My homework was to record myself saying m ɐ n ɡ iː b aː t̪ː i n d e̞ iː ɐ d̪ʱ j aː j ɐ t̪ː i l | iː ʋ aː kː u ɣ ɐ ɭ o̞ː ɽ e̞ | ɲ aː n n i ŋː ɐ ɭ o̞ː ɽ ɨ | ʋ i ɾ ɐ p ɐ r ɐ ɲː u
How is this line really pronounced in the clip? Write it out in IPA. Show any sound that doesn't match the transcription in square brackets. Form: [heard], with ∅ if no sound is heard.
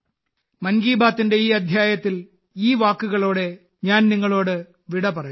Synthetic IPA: m ɐ n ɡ iː b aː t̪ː i n d e̞ iː ɐ d̪ʱ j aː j ɐ t̪ː i l | iː ʋ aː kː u ɣ ɐ ɭ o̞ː ɽ e̞ | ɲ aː n n i ŋː ɐ ɭ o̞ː ɽ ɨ | ʋ i [ɽ] ɐ p ɐ r ɐ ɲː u